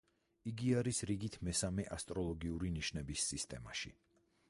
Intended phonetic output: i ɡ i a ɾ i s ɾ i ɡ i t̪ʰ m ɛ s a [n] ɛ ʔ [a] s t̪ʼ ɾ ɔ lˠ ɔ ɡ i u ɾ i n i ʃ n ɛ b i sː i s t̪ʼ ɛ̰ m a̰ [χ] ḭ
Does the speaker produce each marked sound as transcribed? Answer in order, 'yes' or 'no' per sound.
no, yes, no

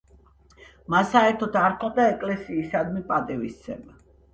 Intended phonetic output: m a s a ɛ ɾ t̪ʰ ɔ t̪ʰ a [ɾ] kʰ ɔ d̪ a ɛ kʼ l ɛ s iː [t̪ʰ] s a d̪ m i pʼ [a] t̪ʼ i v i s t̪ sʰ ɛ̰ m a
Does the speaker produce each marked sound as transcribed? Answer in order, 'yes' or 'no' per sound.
yes, no, yes

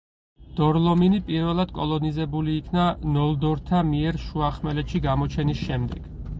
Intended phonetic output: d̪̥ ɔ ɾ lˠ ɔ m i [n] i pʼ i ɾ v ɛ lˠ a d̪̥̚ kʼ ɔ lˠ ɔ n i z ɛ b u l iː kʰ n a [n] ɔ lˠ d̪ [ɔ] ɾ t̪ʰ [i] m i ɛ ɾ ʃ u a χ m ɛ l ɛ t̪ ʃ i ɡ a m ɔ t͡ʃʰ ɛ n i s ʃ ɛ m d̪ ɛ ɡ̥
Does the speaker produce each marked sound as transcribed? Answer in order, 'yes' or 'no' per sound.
yes, yes, yes, no

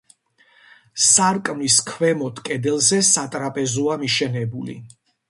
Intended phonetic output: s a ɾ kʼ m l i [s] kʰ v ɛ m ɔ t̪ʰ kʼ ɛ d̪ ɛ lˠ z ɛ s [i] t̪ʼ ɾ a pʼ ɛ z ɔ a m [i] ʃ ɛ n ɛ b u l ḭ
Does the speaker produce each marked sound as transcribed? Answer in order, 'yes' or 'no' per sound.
yes, no, yes

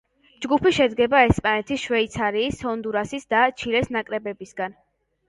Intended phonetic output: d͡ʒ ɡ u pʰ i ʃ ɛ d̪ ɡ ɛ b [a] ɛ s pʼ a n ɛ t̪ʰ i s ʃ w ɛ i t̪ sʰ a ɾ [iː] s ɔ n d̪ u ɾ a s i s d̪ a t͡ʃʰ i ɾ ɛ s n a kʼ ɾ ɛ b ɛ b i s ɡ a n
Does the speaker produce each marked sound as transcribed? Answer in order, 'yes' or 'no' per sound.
yes, yes

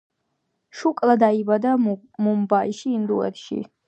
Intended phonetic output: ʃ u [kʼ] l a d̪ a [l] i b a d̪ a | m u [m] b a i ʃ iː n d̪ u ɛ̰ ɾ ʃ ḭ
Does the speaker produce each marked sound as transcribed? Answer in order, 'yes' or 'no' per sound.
yes, no, yes

